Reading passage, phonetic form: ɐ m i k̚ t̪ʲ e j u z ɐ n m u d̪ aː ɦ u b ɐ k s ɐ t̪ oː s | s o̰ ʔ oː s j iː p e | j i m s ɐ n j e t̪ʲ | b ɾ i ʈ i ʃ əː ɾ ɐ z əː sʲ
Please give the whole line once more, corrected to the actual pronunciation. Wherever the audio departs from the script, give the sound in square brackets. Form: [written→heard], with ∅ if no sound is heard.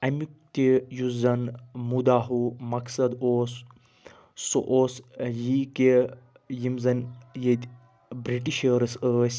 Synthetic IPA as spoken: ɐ m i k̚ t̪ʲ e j u z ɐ n m u d̪ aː ɦ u [b→m] ɐ k s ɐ [t̪→d̪] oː s | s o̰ ʔ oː s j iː [p→k] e | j i m [s→z] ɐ n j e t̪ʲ | b ɾ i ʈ i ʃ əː ɾ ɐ [z→s] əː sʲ